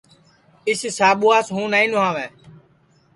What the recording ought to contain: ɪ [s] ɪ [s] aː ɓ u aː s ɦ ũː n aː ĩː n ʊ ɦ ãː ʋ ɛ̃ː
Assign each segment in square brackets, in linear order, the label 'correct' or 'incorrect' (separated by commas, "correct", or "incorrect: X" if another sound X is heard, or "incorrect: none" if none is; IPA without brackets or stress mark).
correct, correct